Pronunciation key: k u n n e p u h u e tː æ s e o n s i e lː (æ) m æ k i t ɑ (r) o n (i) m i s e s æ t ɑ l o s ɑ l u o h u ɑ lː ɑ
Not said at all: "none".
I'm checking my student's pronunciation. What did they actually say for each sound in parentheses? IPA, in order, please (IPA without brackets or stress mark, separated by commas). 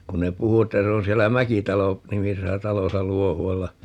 æ, l, i